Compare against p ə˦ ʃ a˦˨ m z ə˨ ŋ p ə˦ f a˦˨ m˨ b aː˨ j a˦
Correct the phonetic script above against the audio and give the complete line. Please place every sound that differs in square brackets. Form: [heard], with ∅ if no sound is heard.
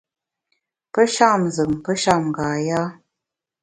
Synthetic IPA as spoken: p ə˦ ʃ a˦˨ m z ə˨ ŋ p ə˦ [ʃ] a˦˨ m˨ [ɡ] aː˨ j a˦